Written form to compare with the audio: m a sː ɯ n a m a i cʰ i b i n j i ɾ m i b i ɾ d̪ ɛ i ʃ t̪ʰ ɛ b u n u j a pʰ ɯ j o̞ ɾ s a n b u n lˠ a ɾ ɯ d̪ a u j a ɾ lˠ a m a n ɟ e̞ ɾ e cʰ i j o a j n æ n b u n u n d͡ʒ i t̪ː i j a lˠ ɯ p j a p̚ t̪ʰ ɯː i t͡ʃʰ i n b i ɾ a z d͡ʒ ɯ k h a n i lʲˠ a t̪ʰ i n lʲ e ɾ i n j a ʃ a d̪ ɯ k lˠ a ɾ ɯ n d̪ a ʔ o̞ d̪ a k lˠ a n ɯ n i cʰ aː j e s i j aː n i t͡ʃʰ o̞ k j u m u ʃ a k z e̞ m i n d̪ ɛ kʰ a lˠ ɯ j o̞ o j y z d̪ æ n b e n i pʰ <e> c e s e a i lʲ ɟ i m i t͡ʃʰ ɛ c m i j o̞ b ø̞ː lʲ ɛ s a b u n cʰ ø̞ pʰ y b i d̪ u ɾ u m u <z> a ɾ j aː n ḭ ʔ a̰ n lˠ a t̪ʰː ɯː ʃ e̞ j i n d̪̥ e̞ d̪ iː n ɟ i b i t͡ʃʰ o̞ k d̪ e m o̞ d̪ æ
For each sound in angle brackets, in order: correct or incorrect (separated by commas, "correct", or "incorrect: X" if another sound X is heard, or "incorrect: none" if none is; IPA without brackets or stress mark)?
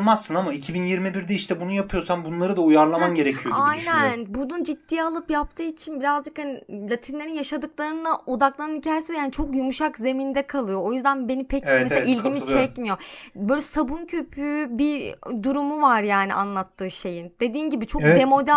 incorrect: ɛ, incorrect: v